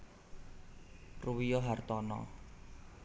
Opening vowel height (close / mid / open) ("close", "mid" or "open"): close